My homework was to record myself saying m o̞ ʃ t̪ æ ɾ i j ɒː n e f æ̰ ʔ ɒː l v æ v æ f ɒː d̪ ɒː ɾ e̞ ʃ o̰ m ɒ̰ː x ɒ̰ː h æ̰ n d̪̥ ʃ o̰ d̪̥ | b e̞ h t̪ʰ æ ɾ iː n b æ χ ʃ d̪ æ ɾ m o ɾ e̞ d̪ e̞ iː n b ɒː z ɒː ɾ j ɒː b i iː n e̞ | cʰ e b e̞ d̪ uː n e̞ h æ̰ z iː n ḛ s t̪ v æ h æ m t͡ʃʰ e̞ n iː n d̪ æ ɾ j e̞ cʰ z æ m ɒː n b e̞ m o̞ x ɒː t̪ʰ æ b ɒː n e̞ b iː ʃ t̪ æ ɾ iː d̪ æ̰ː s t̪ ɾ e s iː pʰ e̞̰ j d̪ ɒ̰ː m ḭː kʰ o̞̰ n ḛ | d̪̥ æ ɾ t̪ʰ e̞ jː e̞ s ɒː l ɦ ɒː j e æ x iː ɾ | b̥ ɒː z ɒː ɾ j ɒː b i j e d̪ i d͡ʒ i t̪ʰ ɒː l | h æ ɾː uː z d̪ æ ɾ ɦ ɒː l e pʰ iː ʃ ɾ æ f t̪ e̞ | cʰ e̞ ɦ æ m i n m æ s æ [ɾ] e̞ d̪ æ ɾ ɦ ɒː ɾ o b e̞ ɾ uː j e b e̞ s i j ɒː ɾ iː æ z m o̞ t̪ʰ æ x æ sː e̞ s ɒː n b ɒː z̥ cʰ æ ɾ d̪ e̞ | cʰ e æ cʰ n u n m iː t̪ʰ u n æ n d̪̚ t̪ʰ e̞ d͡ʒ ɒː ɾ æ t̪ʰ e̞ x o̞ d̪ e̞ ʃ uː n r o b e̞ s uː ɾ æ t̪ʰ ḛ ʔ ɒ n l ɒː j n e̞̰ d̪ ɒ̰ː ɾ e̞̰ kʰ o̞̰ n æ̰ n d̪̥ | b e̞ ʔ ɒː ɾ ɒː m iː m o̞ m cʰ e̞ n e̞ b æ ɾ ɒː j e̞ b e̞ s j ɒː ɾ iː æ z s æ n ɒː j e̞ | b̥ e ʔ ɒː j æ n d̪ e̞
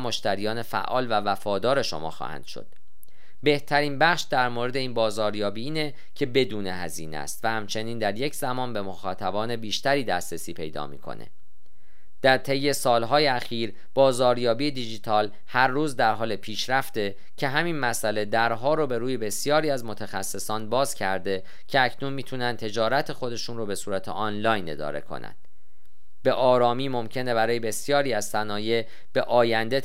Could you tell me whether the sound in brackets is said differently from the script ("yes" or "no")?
yes